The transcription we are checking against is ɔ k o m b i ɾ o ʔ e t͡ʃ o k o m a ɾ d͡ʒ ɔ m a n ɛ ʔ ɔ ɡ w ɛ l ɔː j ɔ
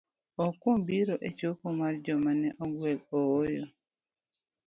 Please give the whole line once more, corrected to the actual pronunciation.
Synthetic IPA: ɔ k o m b i ɾ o ʔ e t͡ʃ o k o m a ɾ d͡ʒ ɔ m a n ɛ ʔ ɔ ɡ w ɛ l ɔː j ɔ